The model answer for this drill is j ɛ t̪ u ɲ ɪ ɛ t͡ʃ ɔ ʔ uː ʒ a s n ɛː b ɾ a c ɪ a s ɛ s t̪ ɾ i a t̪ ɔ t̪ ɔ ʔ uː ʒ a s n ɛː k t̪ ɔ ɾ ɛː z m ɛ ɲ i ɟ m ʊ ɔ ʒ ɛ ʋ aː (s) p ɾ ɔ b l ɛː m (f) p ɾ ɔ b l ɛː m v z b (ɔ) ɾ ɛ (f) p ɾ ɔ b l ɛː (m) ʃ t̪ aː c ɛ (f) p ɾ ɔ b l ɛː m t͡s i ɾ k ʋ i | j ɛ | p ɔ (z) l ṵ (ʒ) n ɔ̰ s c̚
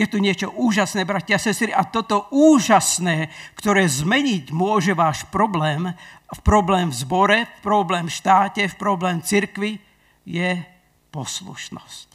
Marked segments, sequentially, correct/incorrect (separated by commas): incorrect, correct, correct, correct, correct, correct, incorrect, incorrect